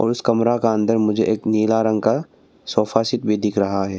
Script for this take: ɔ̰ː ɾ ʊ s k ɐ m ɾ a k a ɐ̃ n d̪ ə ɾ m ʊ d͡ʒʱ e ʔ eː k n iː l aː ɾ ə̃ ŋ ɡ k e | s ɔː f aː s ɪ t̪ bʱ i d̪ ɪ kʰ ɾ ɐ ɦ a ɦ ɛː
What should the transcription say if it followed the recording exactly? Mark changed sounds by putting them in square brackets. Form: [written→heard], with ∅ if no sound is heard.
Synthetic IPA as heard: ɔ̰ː ɾ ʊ s k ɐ m ɾ a k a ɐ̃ n d̪ ə ɾ m ʊ d͡ʒʱ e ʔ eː k n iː l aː ɾ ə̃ ŋ ɡ k [e→a] | s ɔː f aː s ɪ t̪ bʱ i d̪ ɪ kʰ ɾ ɐ ɦ a ɦ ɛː